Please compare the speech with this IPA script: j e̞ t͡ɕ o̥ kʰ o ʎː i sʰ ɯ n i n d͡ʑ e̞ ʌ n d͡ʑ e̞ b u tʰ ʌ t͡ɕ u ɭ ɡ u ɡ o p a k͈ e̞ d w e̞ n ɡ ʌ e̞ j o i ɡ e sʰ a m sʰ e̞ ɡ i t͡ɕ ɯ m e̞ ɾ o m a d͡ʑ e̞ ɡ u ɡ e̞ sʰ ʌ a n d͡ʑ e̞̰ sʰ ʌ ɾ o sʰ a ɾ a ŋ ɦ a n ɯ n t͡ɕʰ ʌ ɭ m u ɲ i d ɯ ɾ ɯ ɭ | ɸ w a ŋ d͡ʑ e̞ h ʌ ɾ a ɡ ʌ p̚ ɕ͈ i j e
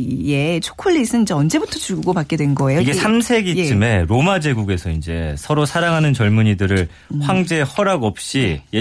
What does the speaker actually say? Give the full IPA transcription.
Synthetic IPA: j e̞ t͡ɕʰ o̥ kʰ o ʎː i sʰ ɯ n i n d͡ʑ e̞ ʌ n d͡ʑ e̞ b u tʰ ʌ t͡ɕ u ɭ ɡ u ɡ o p a k͈ e̞ d w e̞ n ɡ ʌ e̞ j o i ɡ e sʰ a m sʰ e̞ ɡ i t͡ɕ ɯ m e̞ ɾ o m a d͡ʑ e̞ ɡ u ɡ e̞ sʰ ʌ i n d͡ʑ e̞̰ sʰ ʌ ɾ o sʰ a ɾ a ŋ ɦ a n ɯ n t͡ɕ ʌ ɭ m u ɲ i d ɯ ɾ ɯ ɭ | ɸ w a ŋ d͡ʑ e̞ h ʌ ɾ a ɡ ʌ p̚ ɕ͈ i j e